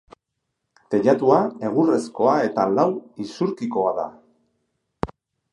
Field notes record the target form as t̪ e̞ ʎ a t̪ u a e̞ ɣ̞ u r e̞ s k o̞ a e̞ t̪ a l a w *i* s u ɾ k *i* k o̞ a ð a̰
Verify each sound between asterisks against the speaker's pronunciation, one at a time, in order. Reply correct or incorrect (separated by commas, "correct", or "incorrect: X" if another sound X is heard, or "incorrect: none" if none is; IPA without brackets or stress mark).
correct, correct